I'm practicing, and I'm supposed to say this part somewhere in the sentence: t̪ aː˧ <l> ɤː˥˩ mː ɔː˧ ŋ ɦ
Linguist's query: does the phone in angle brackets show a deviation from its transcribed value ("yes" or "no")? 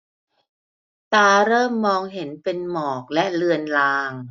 yes